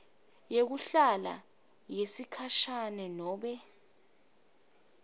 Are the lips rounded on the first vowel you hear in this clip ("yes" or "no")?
no